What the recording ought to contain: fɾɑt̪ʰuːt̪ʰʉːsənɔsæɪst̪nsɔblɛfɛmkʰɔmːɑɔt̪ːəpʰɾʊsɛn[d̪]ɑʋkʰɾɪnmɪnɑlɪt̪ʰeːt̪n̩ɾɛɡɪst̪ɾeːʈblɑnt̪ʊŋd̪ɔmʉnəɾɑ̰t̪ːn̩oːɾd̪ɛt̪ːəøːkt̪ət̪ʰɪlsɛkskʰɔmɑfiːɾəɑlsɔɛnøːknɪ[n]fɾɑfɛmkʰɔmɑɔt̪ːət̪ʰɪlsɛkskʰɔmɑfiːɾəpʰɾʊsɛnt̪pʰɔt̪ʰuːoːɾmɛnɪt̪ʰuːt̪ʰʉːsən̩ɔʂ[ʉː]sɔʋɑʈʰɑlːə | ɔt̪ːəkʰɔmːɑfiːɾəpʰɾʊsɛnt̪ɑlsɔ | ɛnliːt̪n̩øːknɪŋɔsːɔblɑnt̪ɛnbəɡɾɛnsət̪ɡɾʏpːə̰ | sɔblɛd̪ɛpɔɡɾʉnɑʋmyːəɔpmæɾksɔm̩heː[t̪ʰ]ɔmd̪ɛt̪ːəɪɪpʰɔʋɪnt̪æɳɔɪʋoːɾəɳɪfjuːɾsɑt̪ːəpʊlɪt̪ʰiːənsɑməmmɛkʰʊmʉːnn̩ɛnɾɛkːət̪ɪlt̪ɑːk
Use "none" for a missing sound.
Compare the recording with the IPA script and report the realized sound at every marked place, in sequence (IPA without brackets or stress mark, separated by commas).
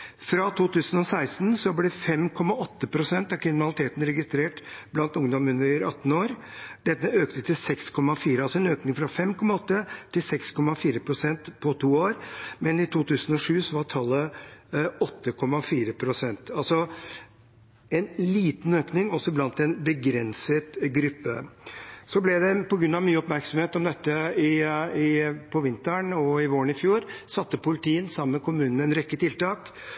t̪, ŋ, ʉː, t̪